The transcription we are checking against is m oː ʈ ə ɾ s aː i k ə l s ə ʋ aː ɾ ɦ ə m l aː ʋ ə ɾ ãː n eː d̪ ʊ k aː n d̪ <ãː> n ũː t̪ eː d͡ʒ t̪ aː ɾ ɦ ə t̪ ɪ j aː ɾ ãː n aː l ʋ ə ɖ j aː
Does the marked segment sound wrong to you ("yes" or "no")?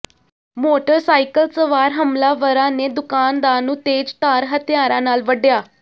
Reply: yes